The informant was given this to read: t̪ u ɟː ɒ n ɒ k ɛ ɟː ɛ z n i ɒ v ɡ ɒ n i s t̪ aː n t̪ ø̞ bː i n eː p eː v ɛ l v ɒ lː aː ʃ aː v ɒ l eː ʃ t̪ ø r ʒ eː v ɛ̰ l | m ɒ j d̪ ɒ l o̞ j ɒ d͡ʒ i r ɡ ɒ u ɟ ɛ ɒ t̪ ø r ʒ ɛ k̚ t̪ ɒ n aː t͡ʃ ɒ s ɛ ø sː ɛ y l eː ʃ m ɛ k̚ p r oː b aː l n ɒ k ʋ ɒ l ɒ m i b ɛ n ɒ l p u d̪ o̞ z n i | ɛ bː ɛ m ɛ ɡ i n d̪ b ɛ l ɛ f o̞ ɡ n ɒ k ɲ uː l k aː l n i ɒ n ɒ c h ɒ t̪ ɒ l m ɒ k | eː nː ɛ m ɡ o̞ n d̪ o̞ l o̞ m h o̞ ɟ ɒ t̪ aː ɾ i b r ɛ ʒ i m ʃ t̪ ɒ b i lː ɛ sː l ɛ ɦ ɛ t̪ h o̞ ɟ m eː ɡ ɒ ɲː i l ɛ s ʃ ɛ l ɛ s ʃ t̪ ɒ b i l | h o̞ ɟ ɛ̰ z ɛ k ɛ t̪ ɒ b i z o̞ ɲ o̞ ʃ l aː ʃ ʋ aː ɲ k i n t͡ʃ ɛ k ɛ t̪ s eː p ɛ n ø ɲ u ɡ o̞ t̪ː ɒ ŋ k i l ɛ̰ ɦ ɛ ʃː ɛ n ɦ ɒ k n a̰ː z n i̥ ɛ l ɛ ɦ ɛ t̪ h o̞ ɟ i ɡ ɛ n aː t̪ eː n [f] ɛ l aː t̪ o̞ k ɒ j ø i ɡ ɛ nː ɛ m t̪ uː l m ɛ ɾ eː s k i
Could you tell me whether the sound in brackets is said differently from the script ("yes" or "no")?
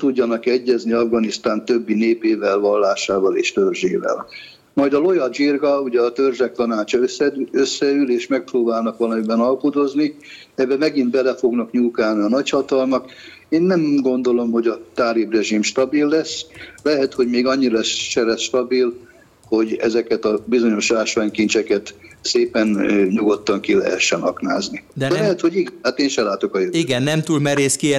yes